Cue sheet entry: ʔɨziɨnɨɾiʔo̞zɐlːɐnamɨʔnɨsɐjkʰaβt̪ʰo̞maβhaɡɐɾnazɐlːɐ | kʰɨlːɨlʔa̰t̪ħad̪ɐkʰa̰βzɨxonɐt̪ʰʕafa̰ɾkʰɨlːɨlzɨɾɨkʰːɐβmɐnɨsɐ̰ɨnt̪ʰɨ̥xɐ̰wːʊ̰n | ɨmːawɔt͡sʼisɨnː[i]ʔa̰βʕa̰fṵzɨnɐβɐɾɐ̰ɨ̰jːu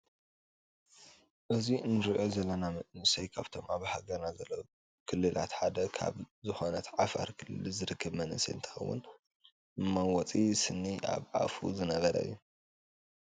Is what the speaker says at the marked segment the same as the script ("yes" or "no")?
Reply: yes